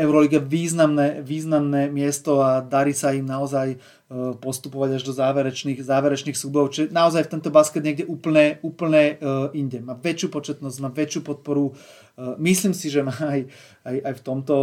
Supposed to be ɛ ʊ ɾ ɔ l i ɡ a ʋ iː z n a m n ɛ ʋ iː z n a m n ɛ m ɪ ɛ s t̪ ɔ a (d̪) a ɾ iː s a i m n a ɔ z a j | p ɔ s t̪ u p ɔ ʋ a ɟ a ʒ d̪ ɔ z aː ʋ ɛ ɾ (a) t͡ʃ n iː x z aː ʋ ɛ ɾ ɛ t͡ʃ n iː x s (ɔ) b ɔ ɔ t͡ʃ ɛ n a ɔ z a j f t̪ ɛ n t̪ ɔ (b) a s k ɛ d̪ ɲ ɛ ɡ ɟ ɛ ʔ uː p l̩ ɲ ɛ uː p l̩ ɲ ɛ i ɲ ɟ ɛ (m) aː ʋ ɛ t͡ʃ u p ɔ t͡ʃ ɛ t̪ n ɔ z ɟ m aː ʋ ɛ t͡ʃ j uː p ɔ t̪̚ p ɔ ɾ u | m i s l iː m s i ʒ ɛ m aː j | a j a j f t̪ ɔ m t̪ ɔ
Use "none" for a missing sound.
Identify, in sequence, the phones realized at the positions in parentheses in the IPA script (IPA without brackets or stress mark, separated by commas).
d̪, ɛ, u, b, m